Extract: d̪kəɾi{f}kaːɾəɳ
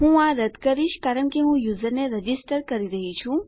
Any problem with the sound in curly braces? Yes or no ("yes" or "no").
yes